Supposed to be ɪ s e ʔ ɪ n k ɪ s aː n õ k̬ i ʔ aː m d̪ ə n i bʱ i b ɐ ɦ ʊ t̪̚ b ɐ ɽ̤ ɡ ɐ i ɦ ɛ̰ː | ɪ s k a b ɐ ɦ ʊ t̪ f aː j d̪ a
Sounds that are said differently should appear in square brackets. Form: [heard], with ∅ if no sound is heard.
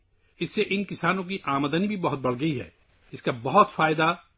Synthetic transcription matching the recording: ɪ [sː] e ʔ ɪ n k ɪ s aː n õ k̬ i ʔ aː m d̪ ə n i bʱ i b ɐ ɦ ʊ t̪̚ b ɐ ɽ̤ ɡ ɐ i ɦ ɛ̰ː | ɪ s k a b ɐ ɦ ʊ t̪ f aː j d̪ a